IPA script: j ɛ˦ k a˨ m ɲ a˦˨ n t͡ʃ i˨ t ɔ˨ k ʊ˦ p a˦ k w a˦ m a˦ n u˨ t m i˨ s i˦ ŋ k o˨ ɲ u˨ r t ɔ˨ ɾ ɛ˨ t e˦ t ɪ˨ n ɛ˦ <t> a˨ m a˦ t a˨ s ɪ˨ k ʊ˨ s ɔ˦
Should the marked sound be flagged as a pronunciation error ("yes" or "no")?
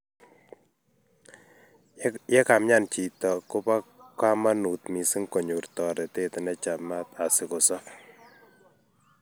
yes